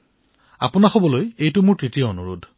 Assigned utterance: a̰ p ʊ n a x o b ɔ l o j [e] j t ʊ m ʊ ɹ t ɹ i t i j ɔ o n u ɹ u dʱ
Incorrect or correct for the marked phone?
correct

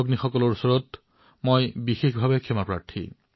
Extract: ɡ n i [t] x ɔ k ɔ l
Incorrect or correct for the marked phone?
incorrect: none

